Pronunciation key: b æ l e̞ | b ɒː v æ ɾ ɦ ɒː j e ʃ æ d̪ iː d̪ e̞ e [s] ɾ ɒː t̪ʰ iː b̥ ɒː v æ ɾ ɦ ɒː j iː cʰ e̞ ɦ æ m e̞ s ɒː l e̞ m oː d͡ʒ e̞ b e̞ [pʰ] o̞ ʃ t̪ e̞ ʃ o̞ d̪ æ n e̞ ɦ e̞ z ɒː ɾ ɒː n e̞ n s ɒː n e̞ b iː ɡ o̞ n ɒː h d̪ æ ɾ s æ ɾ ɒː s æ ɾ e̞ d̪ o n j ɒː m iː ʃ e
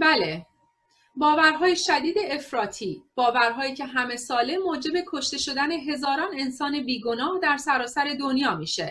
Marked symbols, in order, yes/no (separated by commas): no, no